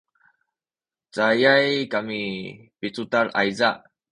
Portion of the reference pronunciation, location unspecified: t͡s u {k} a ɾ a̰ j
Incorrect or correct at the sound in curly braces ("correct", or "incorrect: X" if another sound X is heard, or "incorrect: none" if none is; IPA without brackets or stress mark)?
incorrect: t